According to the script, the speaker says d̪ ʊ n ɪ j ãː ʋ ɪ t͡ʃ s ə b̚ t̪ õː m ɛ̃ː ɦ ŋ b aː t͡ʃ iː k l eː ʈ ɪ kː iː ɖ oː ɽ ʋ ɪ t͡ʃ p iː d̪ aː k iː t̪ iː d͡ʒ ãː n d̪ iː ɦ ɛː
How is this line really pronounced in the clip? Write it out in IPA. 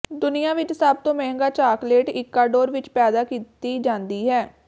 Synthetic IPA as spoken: d̪ ʊ n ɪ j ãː ʋ ɪ t͡ʃ s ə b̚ t̪ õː m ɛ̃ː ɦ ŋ ɡ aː t͡ʃ aː k l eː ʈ ɪ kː aː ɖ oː ɾ ʋ ɪ t͡ʃ p ɛː d̪ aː k iː t̪ iː d͡ʒ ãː n d̪ iː ɦ ɛː